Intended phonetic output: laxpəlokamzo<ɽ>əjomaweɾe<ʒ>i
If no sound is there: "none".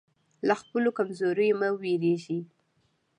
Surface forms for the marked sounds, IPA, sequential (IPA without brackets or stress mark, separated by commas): ɾ, ʒ